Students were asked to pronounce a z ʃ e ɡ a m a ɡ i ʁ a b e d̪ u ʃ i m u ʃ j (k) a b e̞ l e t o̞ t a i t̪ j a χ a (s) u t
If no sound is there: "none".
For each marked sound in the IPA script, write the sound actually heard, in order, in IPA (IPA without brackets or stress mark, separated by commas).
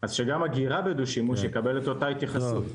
k, s